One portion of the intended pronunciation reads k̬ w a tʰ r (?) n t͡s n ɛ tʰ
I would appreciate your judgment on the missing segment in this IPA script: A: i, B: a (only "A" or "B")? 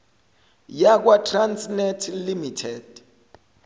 B